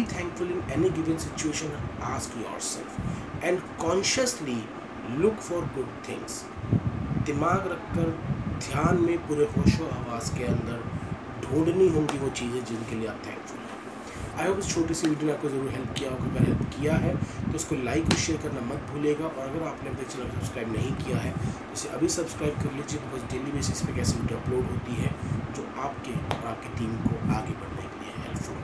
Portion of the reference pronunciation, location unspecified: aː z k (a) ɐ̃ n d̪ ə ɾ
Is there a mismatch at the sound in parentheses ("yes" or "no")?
yes